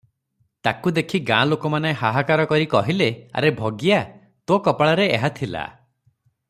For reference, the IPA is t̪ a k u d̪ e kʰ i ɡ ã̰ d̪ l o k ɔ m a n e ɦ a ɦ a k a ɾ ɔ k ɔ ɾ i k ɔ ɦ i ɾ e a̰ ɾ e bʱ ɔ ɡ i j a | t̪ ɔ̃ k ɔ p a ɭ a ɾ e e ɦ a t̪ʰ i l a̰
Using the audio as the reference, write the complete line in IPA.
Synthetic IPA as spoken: t̪ a k u d̪ e kʰ i ɡ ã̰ l o k ɔ m a n e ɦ a ɦ a k a ɾ ɔ k ɔ ɾ i k ɔ ɦ i l e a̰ ɾ e bʱ ɔ ɡ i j a | t̪ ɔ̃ k ɔ p a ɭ a ɾ e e ɦ a t̪ʰ i l a̰